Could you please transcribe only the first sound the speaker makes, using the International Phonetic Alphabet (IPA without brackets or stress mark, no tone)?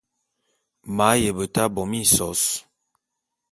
m